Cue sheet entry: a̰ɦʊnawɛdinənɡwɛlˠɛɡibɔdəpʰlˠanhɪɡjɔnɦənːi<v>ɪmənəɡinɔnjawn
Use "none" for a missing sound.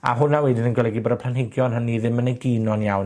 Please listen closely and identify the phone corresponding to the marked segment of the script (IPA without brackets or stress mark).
ð